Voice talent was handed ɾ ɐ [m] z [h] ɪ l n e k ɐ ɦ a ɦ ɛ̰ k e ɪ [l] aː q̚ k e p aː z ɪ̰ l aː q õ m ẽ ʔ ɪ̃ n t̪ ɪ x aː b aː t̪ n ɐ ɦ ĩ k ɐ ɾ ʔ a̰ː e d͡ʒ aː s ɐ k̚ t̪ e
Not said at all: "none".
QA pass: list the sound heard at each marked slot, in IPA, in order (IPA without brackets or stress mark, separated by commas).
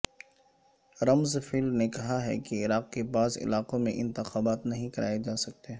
m, f, ɾ